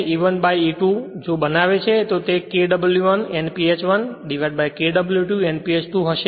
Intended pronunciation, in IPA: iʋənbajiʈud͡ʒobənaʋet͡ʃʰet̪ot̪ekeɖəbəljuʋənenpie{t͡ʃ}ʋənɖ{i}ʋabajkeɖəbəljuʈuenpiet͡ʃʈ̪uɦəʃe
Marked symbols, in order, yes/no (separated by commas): yes, yes